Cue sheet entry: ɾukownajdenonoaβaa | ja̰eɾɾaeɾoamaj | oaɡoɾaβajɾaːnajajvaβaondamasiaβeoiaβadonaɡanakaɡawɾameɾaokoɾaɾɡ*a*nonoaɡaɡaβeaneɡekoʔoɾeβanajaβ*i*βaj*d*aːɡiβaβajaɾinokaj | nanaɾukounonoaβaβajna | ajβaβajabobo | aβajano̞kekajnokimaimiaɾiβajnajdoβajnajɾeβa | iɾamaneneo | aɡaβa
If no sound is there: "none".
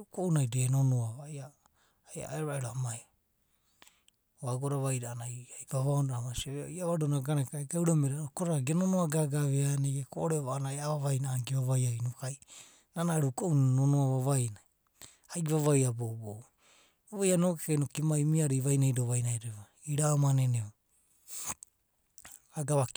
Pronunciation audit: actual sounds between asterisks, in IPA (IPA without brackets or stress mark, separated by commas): e, a, n